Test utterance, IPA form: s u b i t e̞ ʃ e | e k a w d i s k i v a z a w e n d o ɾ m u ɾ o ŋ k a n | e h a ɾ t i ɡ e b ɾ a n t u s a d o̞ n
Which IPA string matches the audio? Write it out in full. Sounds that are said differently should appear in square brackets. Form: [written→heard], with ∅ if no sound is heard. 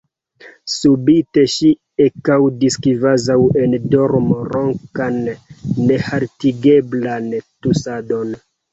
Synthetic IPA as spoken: s u b i t e̞ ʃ [e→i] | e k a w d i s k i v a z a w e n d o ɾ m [u→o] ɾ o ŋ k a [n→nː] | e h a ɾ t i ɡ e b [ɾ→l] a n t u s a d o̞ n